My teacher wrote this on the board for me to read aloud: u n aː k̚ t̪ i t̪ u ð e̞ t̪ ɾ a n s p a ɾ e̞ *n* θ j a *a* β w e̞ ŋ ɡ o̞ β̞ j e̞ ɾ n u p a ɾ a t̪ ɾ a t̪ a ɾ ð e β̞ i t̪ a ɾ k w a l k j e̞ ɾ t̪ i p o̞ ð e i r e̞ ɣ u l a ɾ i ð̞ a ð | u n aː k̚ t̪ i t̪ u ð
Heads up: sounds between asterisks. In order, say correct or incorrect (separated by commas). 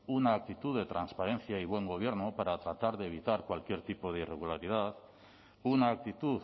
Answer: correct, incorrect